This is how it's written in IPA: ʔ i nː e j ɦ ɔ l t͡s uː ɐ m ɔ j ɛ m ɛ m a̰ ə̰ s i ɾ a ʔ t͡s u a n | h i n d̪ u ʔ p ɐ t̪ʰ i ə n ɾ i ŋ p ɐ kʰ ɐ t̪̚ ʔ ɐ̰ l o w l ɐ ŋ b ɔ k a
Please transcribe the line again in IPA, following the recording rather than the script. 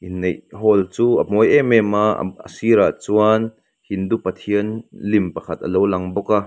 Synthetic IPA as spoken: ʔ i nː e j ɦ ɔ l t͡s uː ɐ m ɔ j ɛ m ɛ m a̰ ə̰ s i ɾ a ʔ t͡s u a n | h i n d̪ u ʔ p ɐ t̪ʰ i ə n l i m p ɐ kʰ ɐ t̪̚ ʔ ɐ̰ l o w l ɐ ŋ b ɔ k a